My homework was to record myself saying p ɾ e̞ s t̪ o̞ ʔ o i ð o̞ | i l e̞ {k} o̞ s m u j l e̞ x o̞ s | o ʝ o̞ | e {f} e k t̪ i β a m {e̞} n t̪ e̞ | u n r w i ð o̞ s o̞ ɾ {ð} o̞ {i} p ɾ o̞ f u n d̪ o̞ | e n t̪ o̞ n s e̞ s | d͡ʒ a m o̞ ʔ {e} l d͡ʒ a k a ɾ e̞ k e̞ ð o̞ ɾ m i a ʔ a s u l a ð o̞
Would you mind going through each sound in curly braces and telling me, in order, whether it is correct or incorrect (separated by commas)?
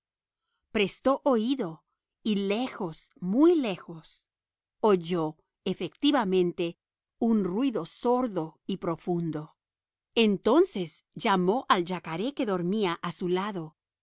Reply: incorrect, correct, incorrect, correct, correct, incorrect